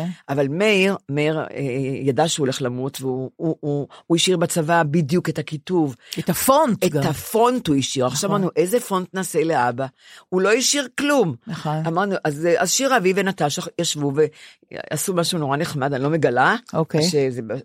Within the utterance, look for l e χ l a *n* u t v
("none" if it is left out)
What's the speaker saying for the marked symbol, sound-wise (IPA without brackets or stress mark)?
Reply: m